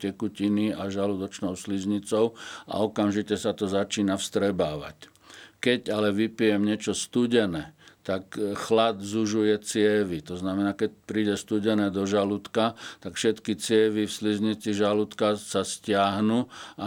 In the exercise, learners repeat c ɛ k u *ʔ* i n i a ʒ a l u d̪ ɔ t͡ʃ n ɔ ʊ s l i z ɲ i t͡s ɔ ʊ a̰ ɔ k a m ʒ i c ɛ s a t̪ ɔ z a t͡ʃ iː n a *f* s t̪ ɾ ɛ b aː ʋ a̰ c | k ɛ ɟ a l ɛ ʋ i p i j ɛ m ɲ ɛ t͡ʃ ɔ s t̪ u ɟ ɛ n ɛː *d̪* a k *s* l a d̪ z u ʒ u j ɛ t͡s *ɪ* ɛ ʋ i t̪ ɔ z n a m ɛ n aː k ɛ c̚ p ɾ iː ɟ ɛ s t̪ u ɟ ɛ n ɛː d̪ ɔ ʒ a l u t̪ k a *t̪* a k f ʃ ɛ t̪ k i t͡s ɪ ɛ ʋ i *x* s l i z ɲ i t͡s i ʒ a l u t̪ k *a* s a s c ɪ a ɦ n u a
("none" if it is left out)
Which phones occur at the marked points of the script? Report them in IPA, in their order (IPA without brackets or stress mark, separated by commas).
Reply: c, f, t̪, x, ɪ, t̪, f, a